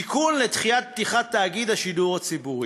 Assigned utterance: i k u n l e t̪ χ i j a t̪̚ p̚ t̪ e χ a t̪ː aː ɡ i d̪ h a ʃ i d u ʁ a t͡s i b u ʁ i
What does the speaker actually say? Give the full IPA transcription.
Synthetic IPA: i k u n l e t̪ χ i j a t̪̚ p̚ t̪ i χ a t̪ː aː ɡ i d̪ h a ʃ i d u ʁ a t͡s i b u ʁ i